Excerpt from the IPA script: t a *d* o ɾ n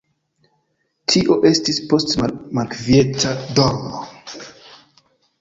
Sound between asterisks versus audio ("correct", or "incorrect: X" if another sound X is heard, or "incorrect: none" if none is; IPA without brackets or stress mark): correct